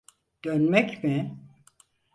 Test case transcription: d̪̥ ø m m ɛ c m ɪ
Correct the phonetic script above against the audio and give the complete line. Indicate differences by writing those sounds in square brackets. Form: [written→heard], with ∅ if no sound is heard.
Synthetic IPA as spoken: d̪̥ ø [m→n] m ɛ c m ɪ